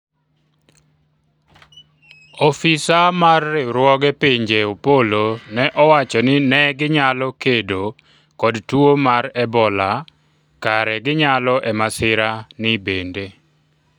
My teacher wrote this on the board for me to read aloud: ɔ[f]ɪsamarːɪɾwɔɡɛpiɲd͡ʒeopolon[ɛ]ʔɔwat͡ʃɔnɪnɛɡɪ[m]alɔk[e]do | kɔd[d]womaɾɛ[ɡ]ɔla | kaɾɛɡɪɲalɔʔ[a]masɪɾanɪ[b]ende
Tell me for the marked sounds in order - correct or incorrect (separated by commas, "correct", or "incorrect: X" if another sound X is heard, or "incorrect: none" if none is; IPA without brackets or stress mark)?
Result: correct, correct, incorrect: ɲ, correct, incorrect: t, incorrect: b, incorrect: ɛ, correct